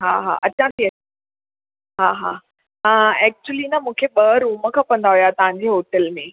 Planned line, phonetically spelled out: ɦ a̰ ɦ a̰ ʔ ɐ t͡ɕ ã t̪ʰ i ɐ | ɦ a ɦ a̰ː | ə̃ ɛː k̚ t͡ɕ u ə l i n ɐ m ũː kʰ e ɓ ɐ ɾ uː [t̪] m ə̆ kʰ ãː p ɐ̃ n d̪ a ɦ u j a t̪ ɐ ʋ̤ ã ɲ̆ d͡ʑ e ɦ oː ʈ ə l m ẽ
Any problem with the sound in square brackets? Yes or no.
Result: yes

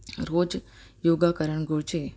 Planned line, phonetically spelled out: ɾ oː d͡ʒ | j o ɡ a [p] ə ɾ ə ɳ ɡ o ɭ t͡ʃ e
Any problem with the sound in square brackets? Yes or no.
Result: yes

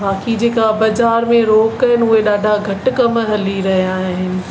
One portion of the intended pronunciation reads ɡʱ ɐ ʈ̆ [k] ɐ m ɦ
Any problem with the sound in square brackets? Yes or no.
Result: no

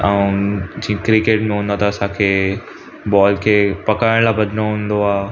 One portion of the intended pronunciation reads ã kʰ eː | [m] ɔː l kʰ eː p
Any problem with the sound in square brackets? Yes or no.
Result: yes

